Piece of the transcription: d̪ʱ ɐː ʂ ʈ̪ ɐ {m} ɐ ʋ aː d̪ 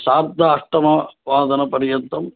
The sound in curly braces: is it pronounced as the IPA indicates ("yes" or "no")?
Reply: yes